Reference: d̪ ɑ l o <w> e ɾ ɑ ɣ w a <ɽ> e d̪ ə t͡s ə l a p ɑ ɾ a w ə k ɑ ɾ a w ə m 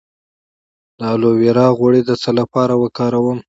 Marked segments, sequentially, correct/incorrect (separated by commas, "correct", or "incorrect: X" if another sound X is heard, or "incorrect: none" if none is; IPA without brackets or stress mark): correct, correct